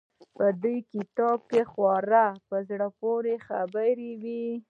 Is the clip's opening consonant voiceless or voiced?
voiceless